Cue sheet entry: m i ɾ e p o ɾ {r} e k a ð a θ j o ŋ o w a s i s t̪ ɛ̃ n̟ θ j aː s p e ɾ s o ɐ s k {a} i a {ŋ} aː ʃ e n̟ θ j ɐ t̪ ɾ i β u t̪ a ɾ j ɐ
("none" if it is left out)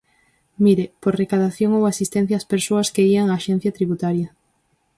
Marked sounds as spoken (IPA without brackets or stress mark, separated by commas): r, e, ŋ